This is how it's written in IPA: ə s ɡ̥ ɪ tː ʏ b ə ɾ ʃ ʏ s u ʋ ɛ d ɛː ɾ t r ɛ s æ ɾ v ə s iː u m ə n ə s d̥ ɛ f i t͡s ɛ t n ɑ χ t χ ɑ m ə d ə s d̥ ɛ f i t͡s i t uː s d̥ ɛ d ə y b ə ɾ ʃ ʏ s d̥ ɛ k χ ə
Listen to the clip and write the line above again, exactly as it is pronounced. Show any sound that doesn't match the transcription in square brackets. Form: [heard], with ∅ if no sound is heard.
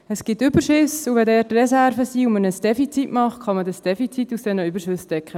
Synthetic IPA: ə s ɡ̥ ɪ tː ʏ b ə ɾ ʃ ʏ s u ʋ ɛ d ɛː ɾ t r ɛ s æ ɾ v ə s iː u m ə n ə s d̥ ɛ f i t͡s [i] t [m] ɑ χ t χ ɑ m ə d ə s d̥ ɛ f i t͡s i t [u] s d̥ ɛ [n] ə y b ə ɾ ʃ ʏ s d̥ ɛ k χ ə